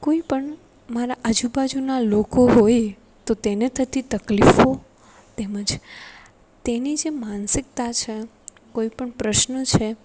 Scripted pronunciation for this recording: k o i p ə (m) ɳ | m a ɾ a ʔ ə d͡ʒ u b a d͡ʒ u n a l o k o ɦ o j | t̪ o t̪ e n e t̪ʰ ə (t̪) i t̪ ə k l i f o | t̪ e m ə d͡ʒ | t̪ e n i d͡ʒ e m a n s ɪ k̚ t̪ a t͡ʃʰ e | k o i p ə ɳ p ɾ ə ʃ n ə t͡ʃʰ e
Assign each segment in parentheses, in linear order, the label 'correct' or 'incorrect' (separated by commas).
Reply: incorrect, correct